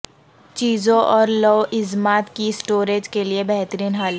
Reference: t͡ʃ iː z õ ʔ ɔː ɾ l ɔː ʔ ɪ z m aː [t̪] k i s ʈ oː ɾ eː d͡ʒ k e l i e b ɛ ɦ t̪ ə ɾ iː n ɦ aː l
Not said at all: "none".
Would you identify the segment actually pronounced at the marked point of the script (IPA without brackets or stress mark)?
t̪